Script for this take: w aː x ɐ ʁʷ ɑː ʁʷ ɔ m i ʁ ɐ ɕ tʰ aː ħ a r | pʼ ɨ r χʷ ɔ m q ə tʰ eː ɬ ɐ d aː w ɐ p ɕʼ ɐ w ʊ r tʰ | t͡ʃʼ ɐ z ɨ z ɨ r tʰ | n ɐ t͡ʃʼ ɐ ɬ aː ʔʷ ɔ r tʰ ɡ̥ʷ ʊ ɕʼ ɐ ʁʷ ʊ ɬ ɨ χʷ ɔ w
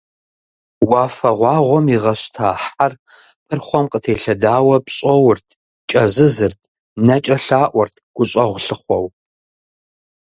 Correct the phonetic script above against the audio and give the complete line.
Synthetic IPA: w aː f ɐ ʁʷ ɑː ʁʷ ɔ m i ʁ ɐ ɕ tʰ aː ħ a r | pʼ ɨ r χʷ ɔ m q ə tʰ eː ɬ ɐ d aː w ɐ p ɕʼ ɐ w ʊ r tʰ | t͡ʃʼ ɐ z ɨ z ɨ r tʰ | n ɐ t͡ʃʼ ɐ ɬ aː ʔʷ ɔ r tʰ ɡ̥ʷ ʊ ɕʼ ɐ ʁʷ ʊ ɬ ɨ χʷ ɔ w